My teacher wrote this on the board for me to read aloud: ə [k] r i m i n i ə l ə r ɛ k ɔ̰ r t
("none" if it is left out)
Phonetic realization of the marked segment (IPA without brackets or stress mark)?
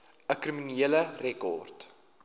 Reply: k